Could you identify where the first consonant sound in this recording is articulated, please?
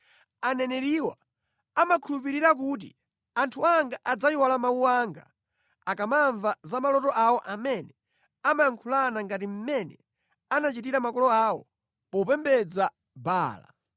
alveolar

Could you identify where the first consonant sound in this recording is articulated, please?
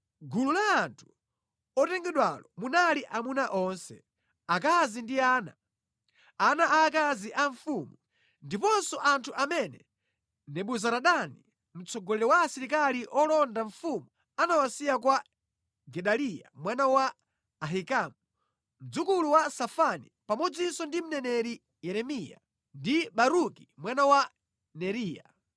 velar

